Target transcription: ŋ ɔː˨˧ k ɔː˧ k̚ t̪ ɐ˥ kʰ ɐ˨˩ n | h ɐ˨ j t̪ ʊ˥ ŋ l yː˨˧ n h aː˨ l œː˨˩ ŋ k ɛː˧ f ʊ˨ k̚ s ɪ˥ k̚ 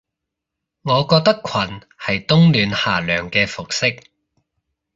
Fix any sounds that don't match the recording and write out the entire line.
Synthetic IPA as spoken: ŋ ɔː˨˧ k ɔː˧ k̚ t̪ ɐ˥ kʰ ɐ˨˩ n | h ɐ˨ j t̪ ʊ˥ ŋ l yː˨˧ n h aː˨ l œː˨˩ ŋ k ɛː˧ f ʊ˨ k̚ s ɪ˥ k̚